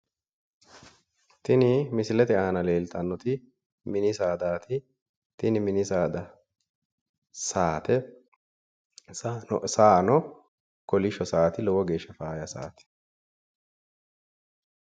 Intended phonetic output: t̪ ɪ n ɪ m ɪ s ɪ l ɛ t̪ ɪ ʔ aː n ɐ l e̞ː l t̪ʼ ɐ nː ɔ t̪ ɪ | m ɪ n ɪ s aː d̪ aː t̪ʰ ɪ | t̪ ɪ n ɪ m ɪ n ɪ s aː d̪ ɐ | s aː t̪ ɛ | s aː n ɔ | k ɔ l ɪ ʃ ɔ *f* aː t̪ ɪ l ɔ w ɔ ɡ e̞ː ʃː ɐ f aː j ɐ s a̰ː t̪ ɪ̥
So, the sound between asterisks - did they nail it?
no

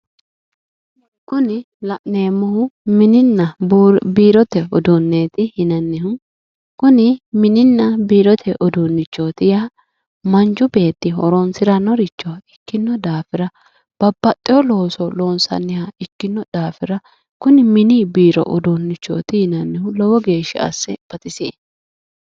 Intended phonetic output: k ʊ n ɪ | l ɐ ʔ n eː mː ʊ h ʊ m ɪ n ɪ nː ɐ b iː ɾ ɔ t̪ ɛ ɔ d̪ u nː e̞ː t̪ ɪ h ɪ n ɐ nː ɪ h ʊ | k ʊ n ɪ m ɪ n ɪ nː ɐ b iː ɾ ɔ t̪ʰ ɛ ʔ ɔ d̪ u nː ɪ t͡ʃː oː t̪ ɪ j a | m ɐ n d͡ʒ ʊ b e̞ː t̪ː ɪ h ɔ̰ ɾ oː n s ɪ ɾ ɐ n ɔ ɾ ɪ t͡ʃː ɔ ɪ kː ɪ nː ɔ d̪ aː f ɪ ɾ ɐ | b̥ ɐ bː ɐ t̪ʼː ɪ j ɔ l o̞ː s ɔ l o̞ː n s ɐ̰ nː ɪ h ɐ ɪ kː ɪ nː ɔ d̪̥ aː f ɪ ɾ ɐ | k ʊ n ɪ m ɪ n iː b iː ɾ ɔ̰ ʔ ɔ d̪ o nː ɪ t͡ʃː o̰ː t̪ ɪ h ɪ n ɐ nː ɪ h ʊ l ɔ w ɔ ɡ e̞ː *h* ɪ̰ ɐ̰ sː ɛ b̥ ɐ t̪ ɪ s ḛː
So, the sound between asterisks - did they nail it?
no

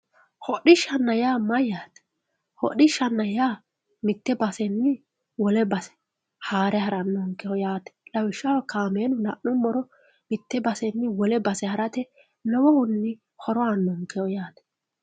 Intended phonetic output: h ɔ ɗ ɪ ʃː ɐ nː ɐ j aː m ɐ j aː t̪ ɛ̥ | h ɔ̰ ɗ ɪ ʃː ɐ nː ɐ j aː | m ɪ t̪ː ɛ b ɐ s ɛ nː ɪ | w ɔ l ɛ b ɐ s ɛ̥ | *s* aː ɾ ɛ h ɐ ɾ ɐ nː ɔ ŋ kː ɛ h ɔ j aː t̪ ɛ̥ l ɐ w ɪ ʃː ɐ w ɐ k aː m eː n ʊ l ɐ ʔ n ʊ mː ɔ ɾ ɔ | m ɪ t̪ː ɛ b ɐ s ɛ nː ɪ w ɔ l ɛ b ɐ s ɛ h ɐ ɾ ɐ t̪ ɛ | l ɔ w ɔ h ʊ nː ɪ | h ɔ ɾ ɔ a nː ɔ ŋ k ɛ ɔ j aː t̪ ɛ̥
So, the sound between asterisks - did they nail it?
no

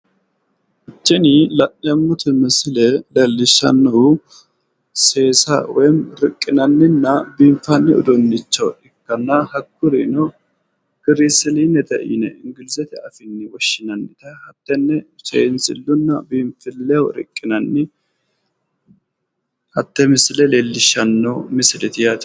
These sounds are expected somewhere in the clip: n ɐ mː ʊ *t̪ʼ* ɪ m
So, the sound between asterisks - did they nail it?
no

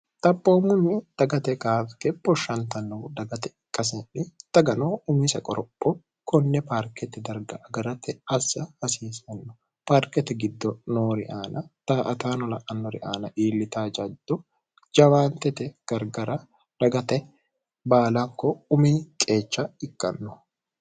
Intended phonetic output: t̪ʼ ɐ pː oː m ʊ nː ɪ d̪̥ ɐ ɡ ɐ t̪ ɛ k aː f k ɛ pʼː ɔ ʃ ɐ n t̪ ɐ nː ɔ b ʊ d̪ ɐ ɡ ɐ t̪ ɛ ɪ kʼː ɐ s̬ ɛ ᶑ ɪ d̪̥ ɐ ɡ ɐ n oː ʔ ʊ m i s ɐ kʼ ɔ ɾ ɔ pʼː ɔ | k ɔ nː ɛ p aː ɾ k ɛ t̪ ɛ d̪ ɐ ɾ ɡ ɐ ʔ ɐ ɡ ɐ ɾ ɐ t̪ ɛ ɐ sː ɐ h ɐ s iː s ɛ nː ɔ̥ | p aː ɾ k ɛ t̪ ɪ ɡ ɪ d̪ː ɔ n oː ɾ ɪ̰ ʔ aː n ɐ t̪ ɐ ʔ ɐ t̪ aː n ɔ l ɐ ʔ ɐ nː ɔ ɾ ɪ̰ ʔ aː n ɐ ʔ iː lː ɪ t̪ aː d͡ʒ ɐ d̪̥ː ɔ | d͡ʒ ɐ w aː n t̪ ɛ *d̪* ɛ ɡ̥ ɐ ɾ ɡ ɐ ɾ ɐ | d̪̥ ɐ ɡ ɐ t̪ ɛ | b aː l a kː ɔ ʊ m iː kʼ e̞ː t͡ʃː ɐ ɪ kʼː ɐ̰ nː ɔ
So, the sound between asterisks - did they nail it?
no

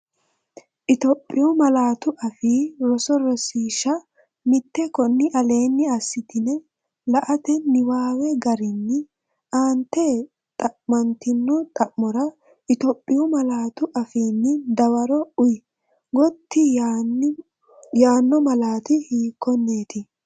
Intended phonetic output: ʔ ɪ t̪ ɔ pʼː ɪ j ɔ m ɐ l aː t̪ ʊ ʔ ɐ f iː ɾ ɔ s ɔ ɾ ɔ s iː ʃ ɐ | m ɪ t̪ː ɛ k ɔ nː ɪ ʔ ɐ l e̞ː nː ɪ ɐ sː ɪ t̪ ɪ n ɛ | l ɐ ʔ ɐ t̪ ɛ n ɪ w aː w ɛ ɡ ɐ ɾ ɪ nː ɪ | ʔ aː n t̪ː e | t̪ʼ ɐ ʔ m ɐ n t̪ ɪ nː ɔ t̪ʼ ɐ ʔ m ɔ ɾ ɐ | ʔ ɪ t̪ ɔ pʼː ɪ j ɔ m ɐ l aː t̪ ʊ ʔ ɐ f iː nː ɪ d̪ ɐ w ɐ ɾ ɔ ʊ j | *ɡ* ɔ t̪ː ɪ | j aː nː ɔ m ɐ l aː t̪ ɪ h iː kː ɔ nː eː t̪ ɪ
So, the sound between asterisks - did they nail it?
yes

